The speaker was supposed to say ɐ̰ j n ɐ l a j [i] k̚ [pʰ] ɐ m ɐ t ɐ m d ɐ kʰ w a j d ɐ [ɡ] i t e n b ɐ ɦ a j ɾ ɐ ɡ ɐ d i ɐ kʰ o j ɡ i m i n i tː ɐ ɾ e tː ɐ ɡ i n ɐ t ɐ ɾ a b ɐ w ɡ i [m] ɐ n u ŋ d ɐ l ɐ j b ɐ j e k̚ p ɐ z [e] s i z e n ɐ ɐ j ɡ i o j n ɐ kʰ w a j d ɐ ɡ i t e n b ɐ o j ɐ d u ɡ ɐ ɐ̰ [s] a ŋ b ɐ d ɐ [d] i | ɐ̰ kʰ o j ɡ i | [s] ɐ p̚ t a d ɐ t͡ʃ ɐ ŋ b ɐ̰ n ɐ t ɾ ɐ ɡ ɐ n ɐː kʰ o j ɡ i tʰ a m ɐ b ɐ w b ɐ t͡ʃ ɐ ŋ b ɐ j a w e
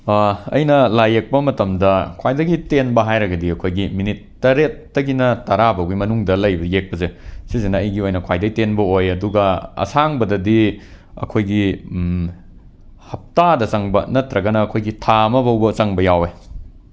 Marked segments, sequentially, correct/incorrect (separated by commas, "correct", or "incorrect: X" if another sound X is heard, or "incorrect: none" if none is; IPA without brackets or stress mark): incorrect: e, incorrect: p, correct, correct, correct, correct, correct, incorrect: h